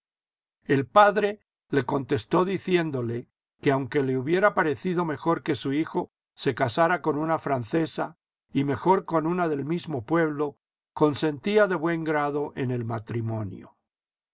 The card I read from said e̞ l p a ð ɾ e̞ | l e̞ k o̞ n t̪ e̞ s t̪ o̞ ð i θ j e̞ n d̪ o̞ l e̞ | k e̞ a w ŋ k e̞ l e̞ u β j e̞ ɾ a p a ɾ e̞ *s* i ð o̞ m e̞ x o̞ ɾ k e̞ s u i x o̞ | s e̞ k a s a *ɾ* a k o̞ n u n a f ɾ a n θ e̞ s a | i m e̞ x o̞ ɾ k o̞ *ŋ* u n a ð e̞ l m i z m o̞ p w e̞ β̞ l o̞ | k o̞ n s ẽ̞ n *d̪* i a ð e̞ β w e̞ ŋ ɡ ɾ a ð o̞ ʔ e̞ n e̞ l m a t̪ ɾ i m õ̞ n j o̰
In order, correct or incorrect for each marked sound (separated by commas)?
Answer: incorrect, correct, incorrect, incorrect